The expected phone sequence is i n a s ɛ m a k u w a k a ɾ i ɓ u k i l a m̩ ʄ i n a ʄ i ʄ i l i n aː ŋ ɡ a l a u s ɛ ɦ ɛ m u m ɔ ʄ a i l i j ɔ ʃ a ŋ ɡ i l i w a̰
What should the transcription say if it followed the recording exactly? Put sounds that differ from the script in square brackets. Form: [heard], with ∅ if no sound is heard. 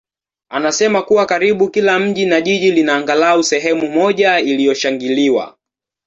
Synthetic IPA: [a] n a s ɛ m a k u w a k a ɾ i ɓ u k i l a m̩ ʄ i n a ʄ i ʄ i l i n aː ŋ ɡ a l a u s ɛ ɦ ɛ m u m ɔ ʄ a i l i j ɔ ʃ a ŋ ɡ i l i w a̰